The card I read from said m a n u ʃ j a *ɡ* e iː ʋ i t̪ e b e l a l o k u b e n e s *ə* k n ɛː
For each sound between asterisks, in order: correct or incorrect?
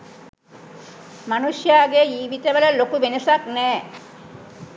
correct, incorrect: a

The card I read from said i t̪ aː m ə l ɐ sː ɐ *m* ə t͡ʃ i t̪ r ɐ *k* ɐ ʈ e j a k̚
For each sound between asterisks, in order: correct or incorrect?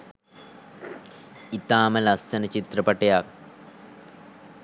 incorrect: n, incorrect: p

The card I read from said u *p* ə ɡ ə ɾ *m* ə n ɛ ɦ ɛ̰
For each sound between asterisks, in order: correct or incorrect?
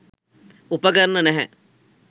correct, incorrect: n

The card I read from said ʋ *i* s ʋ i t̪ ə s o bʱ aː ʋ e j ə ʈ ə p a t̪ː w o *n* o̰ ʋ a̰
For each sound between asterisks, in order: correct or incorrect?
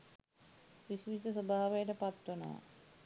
correct, correct

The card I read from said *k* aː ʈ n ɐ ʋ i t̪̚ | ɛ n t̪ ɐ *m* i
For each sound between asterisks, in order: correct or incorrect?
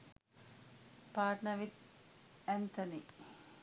incorrect: p, incorrect: n

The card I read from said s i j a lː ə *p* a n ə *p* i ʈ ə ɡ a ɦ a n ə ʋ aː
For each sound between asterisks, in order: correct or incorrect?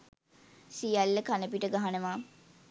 incorrect: k, correct

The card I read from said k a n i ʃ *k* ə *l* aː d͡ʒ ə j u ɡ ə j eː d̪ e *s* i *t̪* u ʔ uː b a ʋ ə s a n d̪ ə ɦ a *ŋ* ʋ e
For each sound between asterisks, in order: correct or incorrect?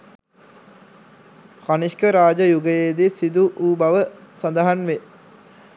correct, incorrect: ɾ, correct, incorrect: d̪, incorrect: n

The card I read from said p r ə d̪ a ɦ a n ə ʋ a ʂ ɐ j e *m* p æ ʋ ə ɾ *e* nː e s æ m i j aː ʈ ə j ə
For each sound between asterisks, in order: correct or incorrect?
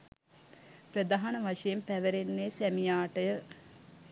correct, correct

